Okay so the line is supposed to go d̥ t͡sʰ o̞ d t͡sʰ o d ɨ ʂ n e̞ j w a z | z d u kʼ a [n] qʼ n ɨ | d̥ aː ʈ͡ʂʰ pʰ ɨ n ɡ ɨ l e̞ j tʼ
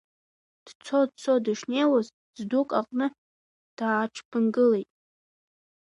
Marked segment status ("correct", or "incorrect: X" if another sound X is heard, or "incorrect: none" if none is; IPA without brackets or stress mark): incorrect: none